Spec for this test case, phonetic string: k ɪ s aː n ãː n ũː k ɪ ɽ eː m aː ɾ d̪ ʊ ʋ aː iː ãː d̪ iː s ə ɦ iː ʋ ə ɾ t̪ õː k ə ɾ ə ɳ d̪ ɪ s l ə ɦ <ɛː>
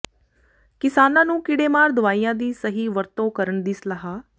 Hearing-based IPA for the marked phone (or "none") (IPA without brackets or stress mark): aː